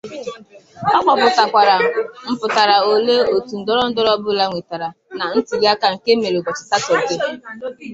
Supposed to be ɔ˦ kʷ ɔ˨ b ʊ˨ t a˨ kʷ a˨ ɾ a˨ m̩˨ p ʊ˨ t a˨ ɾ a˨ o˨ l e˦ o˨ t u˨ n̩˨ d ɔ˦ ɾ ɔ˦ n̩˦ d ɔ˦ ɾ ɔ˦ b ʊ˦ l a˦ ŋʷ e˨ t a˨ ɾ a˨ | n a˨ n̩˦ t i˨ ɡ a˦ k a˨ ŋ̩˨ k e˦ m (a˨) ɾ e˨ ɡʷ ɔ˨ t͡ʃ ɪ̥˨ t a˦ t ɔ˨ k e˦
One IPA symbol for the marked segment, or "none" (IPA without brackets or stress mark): e˨